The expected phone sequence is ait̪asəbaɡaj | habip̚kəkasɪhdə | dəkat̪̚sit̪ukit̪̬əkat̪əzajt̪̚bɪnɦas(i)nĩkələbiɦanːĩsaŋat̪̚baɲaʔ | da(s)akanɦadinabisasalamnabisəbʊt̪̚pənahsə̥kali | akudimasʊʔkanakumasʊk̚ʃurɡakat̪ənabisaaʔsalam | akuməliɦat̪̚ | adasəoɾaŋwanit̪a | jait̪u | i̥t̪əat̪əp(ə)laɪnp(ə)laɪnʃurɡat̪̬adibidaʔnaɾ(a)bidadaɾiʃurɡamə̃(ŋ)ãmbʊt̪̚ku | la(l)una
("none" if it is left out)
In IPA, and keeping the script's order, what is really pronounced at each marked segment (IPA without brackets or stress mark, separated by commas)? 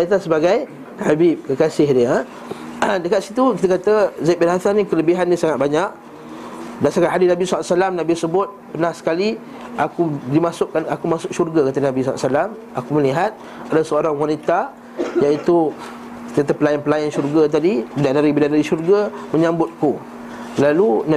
a, s, ə, ə, i, ɲ, l